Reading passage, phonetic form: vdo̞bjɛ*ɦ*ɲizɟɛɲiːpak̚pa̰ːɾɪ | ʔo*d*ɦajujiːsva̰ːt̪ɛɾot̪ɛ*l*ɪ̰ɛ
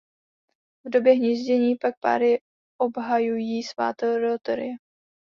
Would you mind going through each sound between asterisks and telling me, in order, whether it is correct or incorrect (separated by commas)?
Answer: correct, incorrect, incorrect